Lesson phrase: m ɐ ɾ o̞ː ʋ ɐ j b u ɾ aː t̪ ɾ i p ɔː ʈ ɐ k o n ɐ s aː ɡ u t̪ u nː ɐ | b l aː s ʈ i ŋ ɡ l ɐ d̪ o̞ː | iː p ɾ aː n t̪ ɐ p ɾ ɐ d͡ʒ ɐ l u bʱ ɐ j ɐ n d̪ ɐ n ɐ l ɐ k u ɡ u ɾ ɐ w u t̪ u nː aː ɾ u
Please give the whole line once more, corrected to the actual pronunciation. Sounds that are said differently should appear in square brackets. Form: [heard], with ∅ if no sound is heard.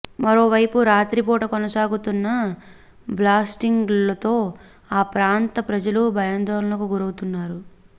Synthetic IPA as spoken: m ɐ ɾ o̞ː ʋ ɐ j [p] u ɾ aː t̪ ɾ i p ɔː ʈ ɐ k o n ɐ s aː ɡ u t̪ u nː ɐ | b l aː s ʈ i ŋ ɡ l ɐ [t̪] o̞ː | [aː] p ɾ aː n t̪ ɐ p ɾ ɐ d͡ʒ ɐ l u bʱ ɐ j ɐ n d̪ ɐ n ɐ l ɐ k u ɡ u ɾ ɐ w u t̪ u nː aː ɾ u

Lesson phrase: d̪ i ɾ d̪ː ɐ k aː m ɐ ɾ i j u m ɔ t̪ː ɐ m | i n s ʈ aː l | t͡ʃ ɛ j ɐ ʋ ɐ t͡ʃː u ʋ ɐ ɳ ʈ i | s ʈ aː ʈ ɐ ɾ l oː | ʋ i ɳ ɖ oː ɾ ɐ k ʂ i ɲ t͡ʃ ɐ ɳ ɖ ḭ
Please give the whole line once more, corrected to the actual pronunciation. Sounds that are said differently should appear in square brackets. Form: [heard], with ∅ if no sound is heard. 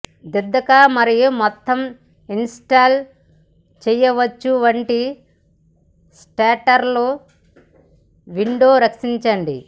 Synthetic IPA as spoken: d̪ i ɾ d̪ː ɐ k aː m ɐ ɾ i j u m ɔ t̪ː ɐ m | i n s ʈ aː l | t͡ʃ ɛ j ɐ ʋ ɐ t͡ʃː u ʋ ɐ ɳ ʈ i | s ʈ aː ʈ ɐ ɾ l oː | ʋ i ɳ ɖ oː ɾ ɐ k ʂ i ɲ t͡ʃ ɐ ɳ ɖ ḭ

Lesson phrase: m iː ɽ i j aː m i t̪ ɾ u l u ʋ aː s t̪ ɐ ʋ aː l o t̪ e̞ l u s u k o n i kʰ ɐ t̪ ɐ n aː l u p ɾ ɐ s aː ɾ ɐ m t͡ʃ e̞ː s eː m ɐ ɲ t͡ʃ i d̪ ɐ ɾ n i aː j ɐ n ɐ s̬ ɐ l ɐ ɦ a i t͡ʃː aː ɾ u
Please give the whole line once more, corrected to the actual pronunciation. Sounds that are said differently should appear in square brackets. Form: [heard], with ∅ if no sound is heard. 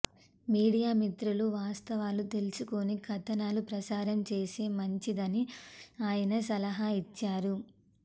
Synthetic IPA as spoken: m iː ɽ i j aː m i t̪ ɾ u l u ʋ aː s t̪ ɐ ʋ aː l [u] t̪ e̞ l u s u k o n i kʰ ɐ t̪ ɐ n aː l u p ɾ ɐ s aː ɾ ɐ m t͡ʃ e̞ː s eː m ɐ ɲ t͡ʃ i d̪ ɐ [∅] n i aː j ɐ n ɐ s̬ ɐ l ɐ ɦ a i t͡ʃː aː ɾ u

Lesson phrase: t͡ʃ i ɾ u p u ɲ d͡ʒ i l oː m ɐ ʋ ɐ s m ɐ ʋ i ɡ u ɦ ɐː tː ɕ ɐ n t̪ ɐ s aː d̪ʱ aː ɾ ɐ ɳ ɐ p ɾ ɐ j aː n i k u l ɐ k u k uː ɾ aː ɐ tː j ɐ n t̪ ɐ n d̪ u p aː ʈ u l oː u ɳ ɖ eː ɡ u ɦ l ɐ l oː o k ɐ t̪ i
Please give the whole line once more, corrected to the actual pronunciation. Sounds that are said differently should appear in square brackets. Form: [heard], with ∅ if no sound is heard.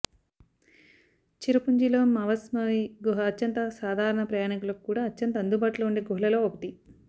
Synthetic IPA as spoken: t͡ʃ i ɾ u p u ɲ d͡ʒ i l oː m ɐ ʋ ɐ s m ɐ ʋ i ɡ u ɦ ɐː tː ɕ ɐ n t̪ ɐ s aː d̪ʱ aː ɾ ɐ ɳ ɐ p ɾ ɐ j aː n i k u l ɐ k u k uː [ɽ] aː ɐ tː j ɐ n t̪ ɐ n d̪ u [b] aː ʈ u l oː u ɳ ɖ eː ɡ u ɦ l ɐ l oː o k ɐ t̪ i

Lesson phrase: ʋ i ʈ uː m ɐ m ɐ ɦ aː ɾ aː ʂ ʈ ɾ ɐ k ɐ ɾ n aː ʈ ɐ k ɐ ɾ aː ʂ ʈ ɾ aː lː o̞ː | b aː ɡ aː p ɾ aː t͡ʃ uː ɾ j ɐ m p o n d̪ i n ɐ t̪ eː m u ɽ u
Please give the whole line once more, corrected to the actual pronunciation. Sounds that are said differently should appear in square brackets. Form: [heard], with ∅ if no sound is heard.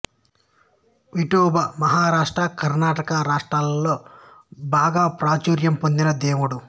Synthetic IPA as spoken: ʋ i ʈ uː [b] ɐ m ɐ ɦ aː ɾ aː ʂ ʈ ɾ ɐ k ɐ ɾ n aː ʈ ɐ k ɐ ɾ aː ʂ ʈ ɾ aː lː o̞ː | b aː ɡ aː p ɾ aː t͡ʃ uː ɾ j ɐ m p o n d̪ i n ɐ [d̪] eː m u ɽ u

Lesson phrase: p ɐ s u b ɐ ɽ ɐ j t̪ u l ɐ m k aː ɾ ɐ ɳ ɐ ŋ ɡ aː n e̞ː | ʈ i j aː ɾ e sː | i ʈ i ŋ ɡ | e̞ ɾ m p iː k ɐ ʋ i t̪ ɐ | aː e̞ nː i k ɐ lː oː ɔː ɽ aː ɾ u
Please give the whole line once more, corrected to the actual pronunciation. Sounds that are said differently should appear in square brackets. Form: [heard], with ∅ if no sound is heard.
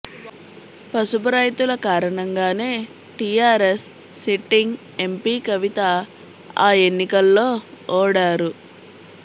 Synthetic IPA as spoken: p ɐ s u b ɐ [ɾ] ɐ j t̪ u l ɐ [∅] k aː ɾ ɐ ɳ ɐ ŋ ɡ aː n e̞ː | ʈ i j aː ɾ e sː | i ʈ i ŋ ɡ | e̞ [∅] m p iː k ɐ ʋ i t̪ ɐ | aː e̞ nː i k ɐ lː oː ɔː ɽ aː ɾ u

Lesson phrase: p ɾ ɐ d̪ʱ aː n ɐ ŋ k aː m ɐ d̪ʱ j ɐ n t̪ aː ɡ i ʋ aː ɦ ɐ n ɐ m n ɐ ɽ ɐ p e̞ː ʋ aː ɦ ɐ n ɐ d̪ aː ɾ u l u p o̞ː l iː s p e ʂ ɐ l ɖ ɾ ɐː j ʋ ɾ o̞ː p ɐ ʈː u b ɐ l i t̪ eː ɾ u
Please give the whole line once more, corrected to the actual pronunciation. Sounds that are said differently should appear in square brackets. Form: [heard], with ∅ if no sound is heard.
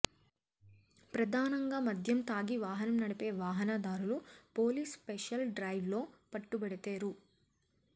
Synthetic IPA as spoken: p ɾ ɐ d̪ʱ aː n ɐ ŋ [ɡ] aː m ɐ d̪ʱ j ɐ [m] t̪ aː ɡ i ʋ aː ɦ ɐ n ɐ m n ɐ ɽ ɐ p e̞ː ʋ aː ɦ ɐ n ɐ d̪ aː ɾ u l u p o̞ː l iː s p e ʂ ɐ l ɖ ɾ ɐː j ʋ [l] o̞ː p ɐ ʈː u b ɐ [ɽ] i t̪ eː ɾ u

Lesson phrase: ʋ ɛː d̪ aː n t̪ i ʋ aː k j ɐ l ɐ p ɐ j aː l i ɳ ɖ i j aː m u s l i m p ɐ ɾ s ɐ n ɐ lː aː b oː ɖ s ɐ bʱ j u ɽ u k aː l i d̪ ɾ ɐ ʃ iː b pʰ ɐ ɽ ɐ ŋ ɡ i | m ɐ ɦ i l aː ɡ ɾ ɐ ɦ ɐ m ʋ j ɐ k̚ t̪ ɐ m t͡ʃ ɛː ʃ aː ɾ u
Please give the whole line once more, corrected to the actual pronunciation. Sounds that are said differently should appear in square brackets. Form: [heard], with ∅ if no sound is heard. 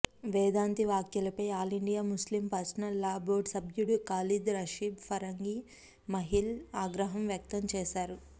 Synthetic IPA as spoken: ʋ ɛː d̪ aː n t̪ i ʋ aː k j ɐ l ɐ p ɐ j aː l i ɳ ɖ i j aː m u s l i m p ɐ ɾ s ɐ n ɐ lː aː b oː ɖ s ɐ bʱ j u ɽ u k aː l i d̪ ɾ ɐ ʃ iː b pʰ ɐ [ɾ] ɐ ŋ ɡ i | m ɐ ɦ i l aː ɡ ɾ ɐ ɦ ɐ m ʋ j ɐ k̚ t̪ ɐ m t͡ʃ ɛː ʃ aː ɾ u

